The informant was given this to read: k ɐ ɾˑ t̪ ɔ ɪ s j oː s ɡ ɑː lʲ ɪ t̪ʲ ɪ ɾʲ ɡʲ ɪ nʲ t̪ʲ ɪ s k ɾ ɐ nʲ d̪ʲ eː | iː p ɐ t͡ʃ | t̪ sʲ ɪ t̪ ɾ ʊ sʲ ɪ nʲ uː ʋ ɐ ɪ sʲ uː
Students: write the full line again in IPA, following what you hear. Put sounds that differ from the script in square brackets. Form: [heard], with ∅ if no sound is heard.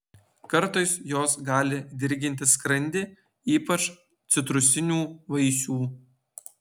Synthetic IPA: k ɐ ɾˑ t̪ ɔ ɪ s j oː s ɡ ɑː lʲ ɪ [d̪ʲ] ɪ ɾʲ ɡʲ ɪ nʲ t̪ʲ ɪ s k ɾ ɐ nʲ d̪ʲ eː | iː p ɐ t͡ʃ | t̪ sʲ ɪ t̪ ɾ ʊ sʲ ɪ nʲ uː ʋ ɐ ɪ sʲ uː